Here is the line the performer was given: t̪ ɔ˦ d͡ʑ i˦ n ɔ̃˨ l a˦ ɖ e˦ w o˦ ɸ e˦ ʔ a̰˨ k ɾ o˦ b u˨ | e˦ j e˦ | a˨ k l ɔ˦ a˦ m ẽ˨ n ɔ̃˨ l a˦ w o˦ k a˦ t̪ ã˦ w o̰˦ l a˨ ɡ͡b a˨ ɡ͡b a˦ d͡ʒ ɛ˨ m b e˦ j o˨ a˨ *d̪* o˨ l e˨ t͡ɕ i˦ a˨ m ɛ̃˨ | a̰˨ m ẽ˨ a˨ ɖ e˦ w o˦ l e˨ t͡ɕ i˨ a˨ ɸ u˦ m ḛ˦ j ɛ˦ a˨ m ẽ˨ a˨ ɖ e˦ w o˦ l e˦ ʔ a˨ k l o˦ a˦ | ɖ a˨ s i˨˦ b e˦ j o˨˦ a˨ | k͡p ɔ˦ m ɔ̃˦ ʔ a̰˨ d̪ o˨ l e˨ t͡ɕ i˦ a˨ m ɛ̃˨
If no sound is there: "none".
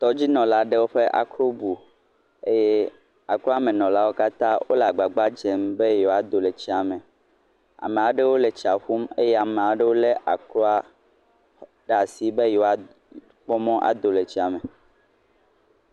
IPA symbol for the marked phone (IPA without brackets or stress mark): d̪